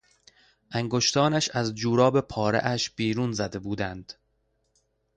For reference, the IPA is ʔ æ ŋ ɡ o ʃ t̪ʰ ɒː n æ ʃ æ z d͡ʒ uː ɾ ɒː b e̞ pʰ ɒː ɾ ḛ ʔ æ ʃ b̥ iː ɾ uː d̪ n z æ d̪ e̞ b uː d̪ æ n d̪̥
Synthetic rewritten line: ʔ æ ŋ ɡ o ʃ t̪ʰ ɒː n æ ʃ æ z d͡ʒ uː ɾ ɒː b e̞ pʰ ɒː ɾ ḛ ʔ æ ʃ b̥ iː ɾ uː n z æ d̪ e̞ b uː d̪ æ n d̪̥